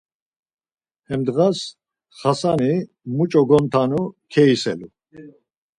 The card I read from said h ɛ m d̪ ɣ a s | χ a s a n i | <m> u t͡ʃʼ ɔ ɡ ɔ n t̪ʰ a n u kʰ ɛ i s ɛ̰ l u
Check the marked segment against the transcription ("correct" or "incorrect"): correct